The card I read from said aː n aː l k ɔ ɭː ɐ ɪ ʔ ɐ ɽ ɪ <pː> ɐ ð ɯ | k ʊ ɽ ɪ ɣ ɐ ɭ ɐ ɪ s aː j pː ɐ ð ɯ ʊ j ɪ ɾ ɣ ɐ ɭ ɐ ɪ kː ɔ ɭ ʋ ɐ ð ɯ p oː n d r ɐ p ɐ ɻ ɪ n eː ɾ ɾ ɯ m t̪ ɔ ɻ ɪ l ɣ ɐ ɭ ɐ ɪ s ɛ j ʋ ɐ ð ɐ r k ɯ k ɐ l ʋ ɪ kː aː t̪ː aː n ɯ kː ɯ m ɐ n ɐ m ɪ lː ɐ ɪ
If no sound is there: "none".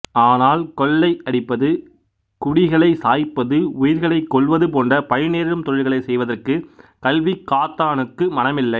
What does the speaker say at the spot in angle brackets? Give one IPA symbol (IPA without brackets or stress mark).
pː